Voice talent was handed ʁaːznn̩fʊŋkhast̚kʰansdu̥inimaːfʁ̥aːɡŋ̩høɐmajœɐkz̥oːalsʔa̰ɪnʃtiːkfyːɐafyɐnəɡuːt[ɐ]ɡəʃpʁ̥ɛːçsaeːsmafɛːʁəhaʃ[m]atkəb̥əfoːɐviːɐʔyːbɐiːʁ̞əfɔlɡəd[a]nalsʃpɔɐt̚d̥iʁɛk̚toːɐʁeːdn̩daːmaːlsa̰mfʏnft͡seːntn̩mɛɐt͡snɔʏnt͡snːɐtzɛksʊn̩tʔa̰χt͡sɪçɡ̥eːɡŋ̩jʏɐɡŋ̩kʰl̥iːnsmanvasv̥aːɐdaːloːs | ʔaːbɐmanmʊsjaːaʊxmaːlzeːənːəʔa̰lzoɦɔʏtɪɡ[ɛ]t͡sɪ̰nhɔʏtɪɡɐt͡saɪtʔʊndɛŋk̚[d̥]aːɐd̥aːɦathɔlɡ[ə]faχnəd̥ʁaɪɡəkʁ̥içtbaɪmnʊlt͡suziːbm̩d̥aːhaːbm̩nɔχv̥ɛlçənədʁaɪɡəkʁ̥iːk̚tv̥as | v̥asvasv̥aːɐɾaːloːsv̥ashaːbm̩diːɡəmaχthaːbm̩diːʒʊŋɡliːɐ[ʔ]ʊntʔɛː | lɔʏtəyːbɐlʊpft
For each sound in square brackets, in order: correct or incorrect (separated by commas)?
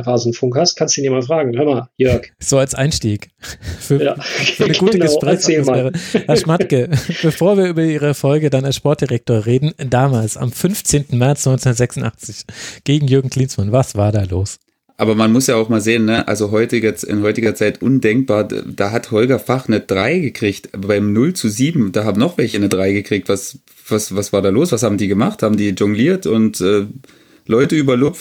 incorrect, correct, correct, correct, incorrect, incorrect, incorrect